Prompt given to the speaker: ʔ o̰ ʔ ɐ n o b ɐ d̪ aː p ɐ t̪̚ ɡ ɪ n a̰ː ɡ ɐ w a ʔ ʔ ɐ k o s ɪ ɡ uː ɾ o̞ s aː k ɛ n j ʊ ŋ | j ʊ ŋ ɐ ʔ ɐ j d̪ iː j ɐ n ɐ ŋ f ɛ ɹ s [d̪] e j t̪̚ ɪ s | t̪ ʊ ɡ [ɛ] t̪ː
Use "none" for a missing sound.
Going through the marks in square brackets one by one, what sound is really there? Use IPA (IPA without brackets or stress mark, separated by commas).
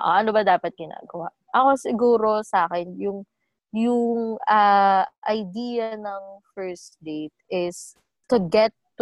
d̪, ɛ